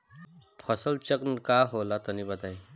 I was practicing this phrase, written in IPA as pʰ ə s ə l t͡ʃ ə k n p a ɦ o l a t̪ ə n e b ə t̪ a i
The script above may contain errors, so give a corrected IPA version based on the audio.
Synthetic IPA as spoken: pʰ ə s ə l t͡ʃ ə k n k a ɦ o l a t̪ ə n i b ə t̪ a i